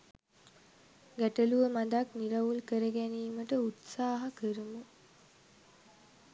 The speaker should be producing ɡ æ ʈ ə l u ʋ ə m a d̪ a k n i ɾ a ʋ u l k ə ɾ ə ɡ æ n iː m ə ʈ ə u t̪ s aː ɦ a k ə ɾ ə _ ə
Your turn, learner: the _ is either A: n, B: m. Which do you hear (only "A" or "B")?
B